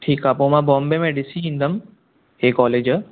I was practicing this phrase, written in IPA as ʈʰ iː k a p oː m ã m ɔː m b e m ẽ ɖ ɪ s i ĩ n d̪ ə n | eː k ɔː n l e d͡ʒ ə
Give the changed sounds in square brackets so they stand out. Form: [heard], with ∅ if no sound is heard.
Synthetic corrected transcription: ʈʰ iː k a p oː m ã [b] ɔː m b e m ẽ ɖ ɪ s i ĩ n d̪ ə [m] | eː k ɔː [∅] l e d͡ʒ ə